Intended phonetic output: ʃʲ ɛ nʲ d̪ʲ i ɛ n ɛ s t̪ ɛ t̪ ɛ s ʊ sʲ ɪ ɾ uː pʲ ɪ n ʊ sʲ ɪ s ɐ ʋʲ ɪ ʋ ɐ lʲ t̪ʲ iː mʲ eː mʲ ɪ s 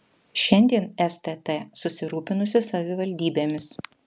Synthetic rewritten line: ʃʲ ɛ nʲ d̪ʲ i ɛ n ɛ s t̪ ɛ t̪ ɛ s ʊ sʲ ɪ ɾ uː pʲ ɪ n ʊ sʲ ɪ s ɐ ʋʲ ɪ ʋ ɐ lʲ d̪ʲ iː bʲ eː mʲ ɪ s